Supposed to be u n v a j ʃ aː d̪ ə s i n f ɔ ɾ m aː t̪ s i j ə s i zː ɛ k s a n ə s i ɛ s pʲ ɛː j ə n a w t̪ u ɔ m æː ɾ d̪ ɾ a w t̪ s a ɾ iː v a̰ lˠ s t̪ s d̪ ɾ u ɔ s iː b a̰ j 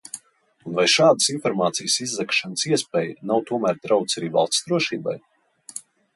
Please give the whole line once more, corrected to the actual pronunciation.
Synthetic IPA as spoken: u n v a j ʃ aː d̪ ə s i n f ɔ ɾ m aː t̪ s i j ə s i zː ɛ k ʃ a n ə s i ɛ s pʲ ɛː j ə n a w t̪ u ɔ m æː ɾ d̪ ɾ a w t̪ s a ɾ iː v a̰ lˠ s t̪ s d̪ ɾ u ɔ ʃ iː b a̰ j